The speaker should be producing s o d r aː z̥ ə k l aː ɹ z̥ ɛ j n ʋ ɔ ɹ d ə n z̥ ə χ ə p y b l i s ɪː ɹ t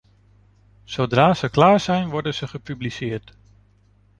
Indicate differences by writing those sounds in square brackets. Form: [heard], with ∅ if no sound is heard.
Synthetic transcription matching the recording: s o d r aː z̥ ə k l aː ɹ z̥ ɛ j n ʋ ɔ ɹ d ə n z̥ ə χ ə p y b l i s ɪː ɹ t